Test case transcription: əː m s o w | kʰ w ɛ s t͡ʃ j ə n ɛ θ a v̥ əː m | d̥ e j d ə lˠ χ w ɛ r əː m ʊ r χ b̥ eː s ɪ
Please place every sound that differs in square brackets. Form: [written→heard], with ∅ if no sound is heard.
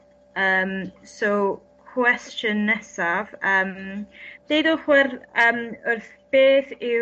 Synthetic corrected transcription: əː m s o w | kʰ w ɛ s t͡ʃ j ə n ɛ [θ→s] a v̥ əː m | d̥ e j d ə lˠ χ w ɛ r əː m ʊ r [χ→θ] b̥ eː [s→θ] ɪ